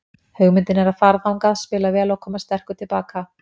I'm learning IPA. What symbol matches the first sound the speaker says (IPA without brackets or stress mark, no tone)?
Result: h